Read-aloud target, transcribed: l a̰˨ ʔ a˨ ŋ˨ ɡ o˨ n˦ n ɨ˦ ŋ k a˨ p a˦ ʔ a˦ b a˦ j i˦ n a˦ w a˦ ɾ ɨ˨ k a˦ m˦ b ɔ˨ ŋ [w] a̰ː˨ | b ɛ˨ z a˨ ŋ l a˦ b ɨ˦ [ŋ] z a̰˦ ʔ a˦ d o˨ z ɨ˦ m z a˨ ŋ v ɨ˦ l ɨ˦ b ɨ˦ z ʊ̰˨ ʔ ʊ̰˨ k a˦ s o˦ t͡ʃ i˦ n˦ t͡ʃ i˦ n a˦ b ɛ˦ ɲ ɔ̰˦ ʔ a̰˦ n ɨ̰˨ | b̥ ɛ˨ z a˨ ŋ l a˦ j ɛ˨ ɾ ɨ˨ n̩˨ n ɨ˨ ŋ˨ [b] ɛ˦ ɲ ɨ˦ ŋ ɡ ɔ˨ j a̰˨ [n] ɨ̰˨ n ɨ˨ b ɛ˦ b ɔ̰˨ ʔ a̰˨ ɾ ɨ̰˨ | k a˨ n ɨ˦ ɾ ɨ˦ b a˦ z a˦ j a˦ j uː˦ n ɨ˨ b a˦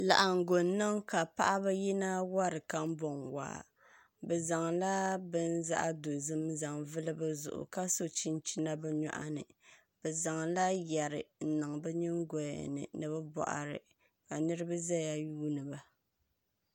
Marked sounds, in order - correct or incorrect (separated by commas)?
correct, incorrect, correct, correct